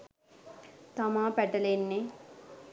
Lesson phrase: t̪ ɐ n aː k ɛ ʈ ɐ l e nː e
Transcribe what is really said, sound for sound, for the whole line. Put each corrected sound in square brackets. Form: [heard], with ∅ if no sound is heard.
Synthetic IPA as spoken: t̪ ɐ [m] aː [p] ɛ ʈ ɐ l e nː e

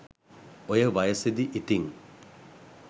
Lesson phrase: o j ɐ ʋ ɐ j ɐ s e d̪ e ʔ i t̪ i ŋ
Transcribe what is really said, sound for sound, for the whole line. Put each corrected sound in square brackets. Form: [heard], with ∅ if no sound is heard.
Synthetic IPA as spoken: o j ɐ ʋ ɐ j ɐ s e d̪ [i] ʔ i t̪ i ŋ

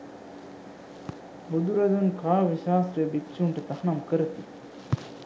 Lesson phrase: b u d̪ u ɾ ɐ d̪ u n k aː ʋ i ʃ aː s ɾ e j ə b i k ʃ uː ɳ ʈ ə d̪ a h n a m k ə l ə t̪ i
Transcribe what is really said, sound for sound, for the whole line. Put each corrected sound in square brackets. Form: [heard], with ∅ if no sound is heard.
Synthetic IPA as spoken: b u d̪ u ɾ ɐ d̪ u n k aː ʋ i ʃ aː s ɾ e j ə b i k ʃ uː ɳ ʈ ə [t̪] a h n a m k ə [ɾ] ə t̪ i

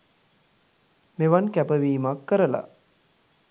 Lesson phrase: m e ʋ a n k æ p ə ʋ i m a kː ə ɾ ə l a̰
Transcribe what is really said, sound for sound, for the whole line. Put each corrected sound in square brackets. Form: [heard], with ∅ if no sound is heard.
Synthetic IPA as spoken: m e ʋ a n k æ p ə ʋ [iː] m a kː ə ɾ ə l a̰

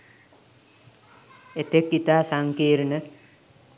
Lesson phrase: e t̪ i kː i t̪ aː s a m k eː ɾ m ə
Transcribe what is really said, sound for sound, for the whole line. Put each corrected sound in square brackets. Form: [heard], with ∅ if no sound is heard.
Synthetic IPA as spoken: e t̪ [e] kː i t̪ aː s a [ŋ] k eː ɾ [n] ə

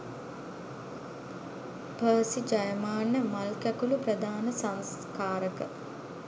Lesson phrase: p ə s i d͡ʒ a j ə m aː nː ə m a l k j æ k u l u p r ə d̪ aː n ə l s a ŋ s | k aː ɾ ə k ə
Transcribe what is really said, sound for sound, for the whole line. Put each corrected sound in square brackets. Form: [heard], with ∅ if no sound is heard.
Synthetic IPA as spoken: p [əː] s i d͡ʒ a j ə m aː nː ə m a l k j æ k u l u p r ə d̪ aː n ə [∅] s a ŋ s | k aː ɾ ə k ə

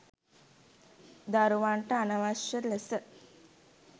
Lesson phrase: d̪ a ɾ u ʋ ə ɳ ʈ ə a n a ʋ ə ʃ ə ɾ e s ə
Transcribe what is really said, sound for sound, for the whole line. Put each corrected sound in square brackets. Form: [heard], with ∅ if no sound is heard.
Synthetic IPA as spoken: d̪ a ɾ u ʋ [a] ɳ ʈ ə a n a ʋ [a] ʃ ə [l] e s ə

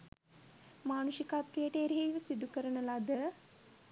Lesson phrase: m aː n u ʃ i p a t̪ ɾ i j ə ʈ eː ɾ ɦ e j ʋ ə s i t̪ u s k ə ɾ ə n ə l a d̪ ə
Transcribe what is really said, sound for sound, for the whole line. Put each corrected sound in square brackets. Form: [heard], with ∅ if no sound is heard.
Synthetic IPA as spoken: m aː n u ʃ i [k] a t̪ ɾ i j ə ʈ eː ɾ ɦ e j ʋ ə s i [d̪] u [∅] k ə ɾ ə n ə l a d̪ ə

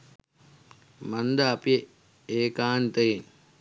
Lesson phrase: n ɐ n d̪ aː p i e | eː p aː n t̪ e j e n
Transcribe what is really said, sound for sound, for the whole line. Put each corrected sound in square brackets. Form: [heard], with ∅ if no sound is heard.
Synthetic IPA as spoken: [m] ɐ n d̪ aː p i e | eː [k] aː n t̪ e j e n

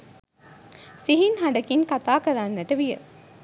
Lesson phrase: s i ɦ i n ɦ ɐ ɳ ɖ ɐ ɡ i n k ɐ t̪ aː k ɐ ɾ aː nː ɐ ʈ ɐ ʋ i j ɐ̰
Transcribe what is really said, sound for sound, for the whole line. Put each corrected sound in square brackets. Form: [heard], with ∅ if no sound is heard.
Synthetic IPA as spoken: s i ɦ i n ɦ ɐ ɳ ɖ ɐ [k] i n k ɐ t̪ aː k ɐ ɾ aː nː ɐ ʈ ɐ ʋ i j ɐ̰

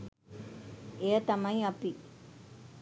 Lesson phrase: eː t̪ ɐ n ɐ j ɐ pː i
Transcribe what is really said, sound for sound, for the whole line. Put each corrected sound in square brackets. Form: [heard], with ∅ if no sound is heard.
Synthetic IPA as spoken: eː t̪ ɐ [m] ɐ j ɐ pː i

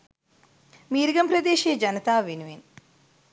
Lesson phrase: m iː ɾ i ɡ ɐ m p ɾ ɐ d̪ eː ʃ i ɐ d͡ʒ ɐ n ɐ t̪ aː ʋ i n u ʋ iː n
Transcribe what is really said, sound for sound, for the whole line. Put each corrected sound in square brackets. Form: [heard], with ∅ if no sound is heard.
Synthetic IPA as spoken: m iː ɾ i ɡ ɐ m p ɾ ɐ d̪ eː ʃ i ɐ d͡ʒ ɐ n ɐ t̪ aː ʋ i n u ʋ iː n

